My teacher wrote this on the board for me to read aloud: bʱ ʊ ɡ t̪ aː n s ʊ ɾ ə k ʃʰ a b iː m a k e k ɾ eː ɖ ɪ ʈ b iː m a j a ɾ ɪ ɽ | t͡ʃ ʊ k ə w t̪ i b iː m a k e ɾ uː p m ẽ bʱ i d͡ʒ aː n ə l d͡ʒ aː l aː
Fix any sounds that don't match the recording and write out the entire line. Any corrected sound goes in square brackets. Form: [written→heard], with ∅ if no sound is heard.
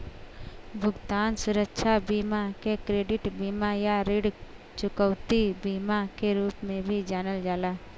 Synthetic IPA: bʱ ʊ ɡ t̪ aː n s ʊ ɾ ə k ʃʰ a b iː m a k e k ɾ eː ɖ ɪ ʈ b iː m a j a ɾ ɪ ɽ | t͡ʃ ʊ k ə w t̪ i b iː m a k e ɾ uː p m ẽ bʱ i d͡ʒ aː n ə l d͡ʒ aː l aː